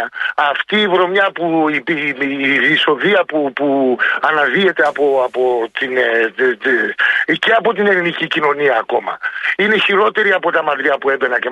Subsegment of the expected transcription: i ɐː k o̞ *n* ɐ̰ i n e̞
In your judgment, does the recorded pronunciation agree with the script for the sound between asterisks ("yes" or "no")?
no